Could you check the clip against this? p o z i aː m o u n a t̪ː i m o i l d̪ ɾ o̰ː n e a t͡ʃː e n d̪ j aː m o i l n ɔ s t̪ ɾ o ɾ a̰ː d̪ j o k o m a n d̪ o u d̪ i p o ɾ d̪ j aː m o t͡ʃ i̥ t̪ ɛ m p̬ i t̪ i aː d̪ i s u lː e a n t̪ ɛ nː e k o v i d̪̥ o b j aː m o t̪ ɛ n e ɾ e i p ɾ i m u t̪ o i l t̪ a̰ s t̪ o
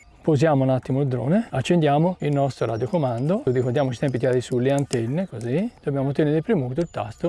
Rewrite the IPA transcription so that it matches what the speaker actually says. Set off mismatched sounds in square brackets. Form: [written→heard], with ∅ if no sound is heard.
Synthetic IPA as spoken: p o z [i→j] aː m o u n a t̪ː i m o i l d̪ ɾ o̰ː n e a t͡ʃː e n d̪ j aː m o i l n ɔ s t̪ ɾ o ɾ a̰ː d̪ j o k o m a n d̪ o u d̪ i [p→k] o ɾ d̪ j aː m o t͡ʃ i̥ t̪ ɛ m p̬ i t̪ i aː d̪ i s u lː e a n t̪ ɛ nː e k o [v→z] i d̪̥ o b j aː m o t̪ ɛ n e ɾ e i p ɾ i m u t̪ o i l t̪ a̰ s t̪ o

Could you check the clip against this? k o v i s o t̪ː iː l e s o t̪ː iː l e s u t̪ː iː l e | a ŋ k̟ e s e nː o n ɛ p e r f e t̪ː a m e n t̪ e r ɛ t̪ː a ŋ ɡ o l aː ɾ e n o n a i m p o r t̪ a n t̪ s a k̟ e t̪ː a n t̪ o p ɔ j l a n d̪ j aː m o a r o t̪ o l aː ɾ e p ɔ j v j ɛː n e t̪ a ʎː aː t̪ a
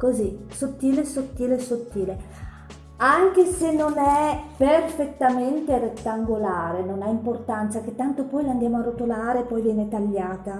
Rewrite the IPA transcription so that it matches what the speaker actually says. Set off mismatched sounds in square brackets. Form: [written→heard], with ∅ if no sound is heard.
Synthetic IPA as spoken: k o [v→z] i s o t̪ː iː l e s o t̪ː iː l e s [u→o] t̪ː iː l e | a ŋ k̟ e s e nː o n ɛ p e r f e t̪ː a m e n t̪ e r [ɛ→e] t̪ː a ŋ ɡ o l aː ɾ e n o n a i m p o r t̪ a n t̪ s a k̟ e t̪ː a n t̪ o p ɔ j l a n d̪ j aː m o a r o t̪ o l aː ɾ e p ɔ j v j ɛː n e t̪ a ʎː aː t̪ a

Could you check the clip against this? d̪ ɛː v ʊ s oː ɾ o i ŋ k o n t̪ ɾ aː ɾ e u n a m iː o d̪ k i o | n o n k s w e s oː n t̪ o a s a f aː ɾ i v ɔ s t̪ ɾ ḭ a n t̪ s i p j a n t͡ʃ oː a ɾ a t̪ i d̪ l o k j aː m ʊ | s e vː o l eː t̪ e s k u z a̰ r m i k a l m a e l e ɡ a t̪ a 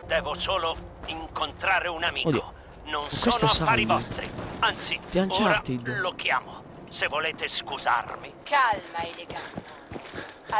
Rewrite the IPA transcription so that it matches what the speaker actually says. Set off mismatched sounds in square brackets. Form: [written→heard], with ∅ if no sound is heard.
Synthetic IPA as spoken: d̪ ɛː v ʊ s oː [ɾ→l] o i ŋ k o n t̪ ɾ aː ɾ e u n a m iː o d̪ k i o | n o n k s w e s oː n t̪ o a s a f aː ɾ i v ɔ s t̪ ɾ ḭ a n t̪ s i p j a n t͡ʃ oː a ɾ a t̪ i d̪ l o k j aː m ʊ | s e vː o l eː t̪ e s k u z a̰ r m i k a l m a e l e ɡ a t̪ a

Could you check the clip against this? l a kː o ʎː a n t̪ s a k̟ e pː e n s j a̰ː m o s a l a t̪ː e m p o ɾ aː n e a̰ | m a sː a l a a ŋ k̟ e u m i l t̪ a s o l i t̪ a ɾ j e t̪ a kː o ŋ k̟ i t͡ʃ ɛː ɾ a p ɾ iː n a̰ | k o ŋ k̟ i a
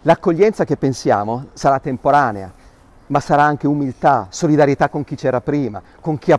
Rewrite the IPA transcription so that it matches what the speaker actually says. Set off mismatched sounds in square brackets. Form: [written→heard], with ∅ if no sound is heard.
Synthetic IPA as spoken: l a kː o ʎː [a→ɛ] n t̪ s a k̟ e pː e n s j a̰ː m o s a [l→ɾ] a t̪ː e m p o ɾ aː n e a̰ | m a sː a [l→ɾ] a a ŋ k̟ e u m i l t̪ a s o l i [t̪→d̪] a ɾ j e t̪ a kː o ŋ k̟ i t͡ʃ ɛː ɾ a p ɾ iː [n→m] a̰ | k o ŋ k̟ i a

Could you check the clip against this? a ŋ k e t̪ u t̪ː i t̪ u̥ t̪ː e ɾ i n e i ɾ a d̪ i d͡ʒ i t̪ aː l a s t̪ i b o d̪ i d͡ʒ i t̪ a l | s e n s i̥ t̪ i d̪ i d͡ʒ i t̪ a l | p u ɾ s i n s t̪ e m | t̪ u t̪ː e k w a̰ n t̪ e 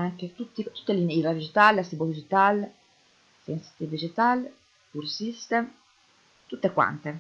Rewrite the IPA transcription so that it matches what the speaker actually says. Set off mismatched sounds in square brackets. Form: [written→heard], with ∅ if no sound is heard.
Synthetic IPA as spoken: a ŋ k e t̪ u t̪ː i t̪ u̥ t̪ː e [ɾ→l] i n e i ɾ a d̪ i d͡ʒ i t̪ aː l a s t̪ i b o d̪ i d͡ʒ i t̪ a l | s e n s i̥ t̪ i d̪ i d͡ʒ i t̪ a l | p u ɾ s i [n→∅] s t̪ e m | t̪ u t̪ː e k w a̰ n t̪ e

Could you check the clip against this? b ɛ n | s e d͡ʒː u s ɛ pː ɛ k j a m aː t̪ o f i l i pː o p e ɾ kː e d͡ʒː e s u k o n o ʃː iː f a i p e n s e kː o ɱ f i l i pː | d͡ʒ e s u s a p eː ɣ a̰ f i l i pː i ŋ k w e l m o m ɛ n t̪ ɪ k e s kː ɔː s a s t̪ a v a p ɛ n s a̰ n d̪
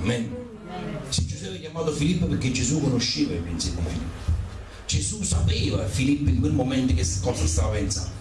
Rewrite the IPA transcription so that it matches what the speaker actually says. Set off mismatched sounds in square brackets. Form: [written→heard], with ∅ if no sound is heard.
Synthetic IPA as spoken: [b→m] ɛ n | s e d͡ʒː u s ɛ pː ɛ k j a m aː t̪ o f i l i pː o p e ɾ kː e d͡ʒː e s u k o n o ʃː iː [f→v] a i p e n s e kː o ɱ f i l i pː | d͡ʒ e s u s a p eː [ɣ→v] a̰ f i l i pː i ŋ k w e l m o m ɛ n t̪ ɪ k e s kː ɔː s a s t̪ a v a p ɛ n s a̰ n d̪

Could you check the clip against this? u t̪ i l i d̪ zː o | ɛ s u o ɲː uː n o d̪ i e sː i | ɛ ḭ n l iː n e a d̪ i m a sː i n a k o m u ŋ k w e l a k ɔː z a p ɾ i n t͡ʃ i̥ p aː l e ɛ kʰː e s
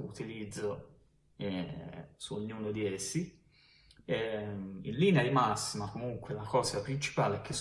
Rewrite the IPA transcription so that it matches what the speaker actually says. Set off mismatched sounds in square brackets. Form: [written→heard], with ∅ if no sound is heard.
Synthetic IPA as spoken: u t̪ i l i d̪ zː o | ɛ s u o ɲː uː n o d̪ i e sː i | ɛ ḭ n l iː n e a d̪ i m a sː i [n→m] a k o m u ŋ k w e l a k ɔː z a p ɾ i n t͡ʃ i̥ p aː l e ɛ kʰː e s

